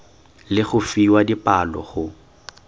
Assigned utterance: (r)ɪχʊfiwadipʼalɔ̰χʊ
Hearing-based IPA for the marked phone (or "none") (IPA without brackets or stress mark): l